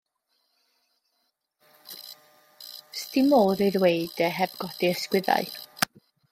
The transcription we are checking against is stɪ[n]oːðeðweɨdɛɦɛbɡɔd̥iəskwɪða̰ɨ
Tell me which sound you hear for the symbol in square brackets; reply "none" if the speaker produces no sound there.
m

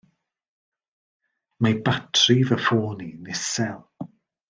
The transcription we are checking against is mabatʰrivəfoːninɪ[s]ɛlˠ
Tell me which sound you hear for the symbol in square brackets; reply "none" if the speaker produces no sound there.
s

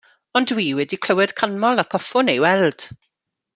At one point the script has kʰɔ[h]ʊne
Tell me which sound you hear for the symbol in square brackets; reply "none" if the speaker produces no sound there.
f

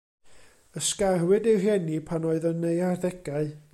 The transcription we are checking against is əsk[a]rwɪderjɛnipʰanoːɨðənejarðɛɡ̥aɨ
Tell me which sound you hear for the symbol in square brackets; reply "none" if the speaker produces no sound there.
a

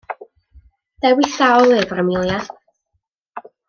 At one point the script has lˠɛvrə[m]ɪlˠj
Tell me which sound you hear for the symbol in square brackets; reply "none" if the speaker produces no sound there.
m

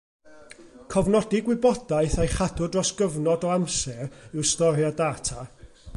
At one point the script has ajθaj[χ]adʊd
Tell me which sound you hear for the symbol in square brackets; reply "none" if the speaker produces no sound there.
χ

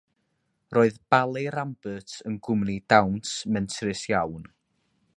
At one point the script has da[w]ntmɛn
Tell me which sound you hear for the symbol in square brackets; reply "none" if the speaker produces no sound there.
w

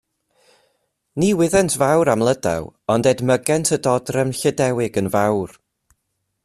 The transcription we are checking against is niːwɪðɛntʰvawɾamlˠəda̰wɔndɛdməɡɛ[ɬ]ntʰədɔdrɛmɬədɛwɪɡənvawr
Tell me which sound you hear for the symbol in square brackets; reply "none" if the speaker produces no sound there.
none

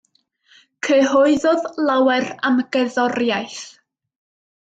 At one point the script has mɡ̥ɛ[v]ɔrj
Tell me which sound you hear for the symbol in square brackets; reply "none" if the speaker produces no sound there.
ð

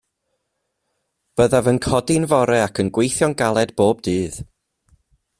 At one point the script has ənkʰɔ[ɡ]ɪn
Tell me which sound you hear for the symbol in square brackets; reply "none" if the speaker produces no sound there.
d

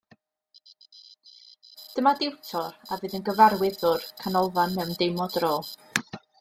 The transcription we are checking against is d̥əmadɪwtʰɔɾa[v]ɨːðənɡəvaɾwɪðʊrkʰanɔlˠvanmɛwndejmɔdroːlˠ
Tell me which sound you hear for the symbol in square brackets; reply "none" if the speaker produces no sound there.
v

